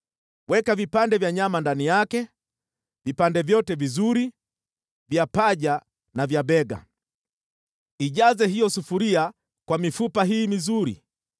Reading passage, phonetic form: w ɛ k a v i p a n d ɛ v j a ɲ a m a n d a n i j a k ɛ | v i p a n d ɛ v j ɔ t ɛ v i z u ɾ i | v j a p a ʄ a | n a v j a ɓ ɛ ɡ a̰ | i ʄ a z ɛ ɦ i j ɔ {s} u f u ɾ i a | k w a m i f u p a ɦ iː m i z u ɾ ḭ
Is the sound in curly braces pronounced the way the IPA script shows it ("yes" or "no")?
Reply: yes